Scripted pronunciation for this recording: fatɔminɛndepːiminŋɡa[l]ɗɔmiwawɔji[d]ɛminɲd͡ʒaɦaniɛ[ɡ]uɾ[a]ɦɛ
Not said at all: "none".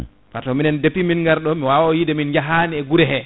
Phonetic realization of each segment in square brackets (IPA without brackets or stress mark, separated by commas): ɾ, d, ɡ, ɛ